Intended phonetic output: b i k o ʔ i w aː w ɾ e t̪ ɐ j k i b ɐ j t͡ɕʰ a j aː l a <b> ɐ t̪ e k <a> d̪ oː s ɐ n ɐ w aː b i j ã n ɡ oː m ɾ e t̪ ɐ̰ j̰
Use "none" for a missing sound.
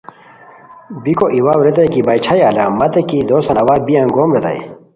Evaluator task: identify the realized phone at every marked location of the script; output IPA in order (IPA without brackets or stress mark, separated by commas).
m, i